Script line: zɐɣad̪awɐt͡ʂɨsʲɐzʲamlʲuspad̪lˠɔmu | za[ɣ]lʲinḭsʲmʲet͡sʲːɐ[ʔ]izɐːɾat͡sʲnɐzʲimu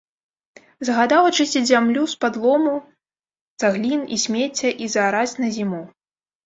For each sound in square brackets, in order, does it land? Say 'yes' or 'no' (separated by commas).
yes, yes